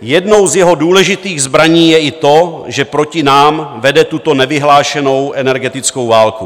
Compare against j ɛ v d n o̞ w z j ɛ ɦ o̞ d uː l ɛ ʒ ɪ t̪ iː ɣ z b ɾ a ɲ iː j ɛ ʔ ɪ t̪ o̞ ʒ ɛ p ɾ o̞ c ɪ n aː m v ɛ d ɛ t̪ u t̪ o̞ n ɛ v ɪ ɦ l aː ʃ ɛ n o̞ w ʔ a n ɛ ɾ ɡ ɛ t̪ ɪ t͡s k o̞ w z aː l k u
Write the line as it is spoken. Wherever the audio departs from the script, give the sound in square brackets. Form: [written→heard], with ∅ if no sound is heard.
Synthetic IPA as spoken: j ɛ [v→∅] d n o̞ w z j ɛ ɦ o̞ d uː l ɛ ʒ ɪ t̪ iː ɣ z b ɾ a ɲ iː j ɛ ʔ ɪ t̪ o̞ ʒ ɛ p ɾ o̞ c ɪ n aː m v ɛ d ɛ t̪ u t̪ o̞ n ɛ v ɪ ɦ l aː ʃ ɛ n o̞ w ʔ [a→ɛ] n ɛ ɾ ɡ ɛ t̪ ɪ t͡s k o̞ w [z→v] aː l k u

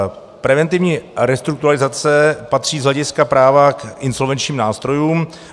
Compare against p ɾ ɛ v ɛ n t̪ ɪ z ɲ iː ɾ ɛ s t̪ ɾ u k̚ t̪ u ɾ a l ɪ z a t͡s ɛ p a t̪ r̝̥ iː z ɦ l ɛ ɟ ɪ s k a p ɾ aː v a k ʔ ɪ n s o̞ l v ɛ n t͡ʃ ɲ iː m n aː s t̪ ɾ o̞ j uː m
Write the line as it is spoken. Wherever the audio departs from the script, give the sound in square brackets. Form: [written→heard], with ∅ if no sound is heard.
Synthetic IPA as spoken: p ɾ ɛ v ɛ n t̪ ɪ [z→v] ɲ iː ɾ ɛ s t̪ ɾ u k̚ t̪ u ɾ a l ɪ z a t͡s ɛ p a t̪ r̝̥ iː z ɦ l ɛ ɟ ɪ s k a p ɾ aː v a k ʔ ɪ n s o̞ l v ɛ n t͡ʃ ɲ iː m n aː s t̪ ɾ o̞ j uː m

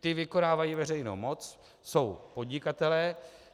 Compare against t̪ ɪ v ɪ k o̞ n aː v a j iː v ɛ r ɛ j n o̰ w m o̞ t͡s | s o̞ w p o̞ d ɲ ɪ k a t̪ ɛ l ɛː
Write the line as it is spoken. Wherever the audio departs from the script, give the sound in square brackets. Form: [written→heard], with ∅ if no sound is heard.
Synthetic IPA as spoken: t̪ ɪ v ɪ k o̞ n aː v a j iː v ɛ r ɛ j n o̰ w m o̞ t͡s | s o̞ w p o̞ d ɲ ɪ k a t̪ ɛ l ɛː

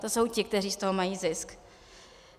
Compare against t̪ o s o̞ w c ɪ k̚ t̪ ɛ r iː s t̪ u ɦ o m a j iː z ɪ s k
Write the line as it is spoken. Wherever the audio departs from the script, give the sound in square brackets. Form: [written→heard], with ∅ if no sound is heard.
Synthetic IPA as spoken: t̪ o s o̞ w c ɪ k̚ t̪ ɛ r iː s t̪ [u→o] ɦ o m a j iː z ɪ s k

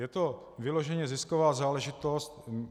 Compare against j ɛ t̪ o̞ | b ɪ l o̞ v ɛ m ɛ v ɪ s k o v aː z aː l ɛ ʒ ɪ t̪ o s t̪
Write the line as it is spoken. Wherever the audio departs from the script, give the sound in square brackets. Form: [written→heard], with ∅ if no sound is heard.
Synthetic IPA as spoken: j ɛ t̪ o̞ | [b→v] ɪ l o̞ [v→ʒ] ɛ [m→ɲ] ɛ [v→z] ɪ s k o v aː z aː l ɛ ʒ ɪ t̪ o s t̪

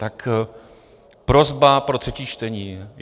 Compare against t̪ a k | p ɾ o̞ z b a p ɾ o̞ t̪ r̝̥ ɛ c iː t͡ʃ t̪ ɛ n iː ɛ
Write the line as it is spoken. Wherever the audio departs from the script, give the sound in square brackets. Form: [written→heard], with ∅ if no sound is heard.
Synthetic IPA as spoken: t̪ a k | p ɾ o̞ z b a p ɾ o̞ t̪ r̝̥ ɛ c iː t͡ʃ t̪ ɛ [n→ɲ] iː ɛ

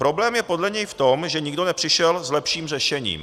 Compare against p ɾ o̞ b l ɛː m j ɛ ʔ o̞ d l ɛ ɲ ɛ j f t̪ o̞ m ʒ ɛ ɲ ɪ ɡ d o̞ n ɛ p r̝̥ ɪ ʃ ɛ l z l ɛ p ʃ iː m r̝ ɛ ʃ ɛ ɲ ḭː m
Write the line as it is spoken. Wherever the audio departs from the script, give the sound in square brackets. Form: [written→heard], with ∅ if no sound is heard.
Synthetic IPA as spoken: p ɾ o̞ b l ɛː m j ɛ [ʔ→p] o̞ d l ɛ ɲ ɛ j f t̪ o̞ m ʒ ɛ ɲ ɪ ɡ d o̞ n ɛ p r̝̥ ɪ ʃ ɛ l z l ɛ p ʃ iː m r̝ ɛ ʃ ɛ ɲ ḭː m

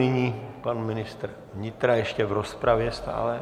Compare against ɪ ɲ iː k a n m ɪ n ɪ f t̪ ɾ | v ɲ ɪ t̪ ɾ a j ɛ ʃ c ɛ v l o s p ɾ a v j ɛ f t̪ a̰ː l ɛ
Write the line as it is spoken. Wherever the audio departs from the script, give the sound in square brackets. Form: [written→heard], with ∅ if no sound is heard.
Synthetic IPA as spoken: ɪ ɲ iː [k→p] a n m ɪ n ɪ [f→s] t̪ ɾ | v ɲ ɪ t̪ ɾ a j ɛ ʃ c ɛ v [l→ɾ] o s p ɾ a v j ɛ [f→s] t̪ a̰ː l ɛ

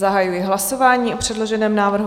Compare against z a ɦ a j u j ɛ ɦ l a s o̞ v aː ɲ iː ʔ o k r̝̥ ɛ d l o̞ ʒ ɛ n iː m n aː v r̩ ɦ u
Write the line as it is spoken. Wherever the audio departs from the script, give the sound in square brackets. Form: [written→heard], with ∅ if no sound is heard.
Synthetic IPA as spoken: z a ɦ a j u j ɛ ɦ l a s o̞ v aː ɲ iː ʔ o [k→p] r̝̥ ɛ d l o̞ ʒ ɛ n [iː→ɛː] m n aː v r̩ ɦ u

